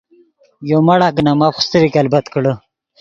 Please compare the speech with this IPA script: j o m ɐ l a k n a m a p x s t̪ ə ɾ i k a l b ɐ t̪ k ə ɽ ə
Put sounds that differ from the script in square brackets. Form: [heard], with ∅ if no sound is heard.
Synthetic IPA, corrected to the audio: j o m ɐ [ɽ] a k n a m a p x s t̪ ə ɾ i k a l b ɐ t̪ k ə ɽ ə